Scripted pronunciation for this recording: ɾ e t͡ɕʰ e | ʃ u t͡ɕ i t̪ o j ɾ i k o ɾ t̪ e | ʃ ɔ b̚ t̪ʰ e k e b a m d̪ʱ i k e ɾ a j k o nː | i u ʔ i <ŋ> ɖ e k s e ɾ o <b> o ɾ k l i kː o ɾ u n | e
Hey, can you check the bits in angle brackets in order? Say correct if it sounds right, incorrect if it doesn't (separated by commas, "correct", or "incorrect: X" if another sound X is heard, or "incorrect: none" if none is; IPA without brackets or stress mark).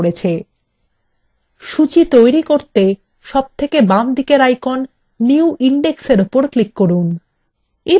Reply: incorrect: ɳ, incorrect: p